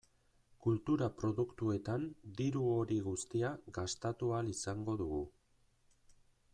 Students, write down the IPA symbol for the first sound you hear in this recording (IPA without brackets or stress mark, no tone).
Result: k